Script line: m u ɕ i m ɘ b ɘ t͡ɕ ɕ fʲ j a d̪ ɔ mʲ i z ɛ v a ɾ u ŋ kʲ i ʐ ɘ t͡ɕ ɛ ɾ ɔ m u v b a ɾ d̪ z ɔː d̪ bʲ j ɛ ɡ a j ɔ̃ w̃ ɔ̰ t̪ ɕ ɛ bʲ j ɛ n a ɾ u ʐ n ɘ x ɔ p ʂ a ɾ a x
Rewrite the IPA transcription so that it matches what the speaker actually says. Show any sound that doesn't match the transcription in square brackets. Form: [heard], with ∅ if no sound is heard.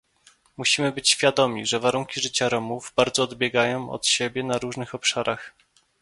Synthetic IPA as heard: m u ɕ i m ɘ b ɘ t͡ɕ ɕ fʲ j a d̪ ɔ mʲ i [ʐ] ɛ v a ɾ u ŋ kʲ i ʐ ɘ t͡ɕ [a] ɾ ɔ m u v b a ɾ d̪ z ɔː d̪ bʲ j ɛ ɡ a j ɔ̃ w̃ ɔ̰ t̪ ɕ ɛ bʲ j ɛ n a ɾ u ʐ n ɘ x ɔ p ʂ a ɾ a x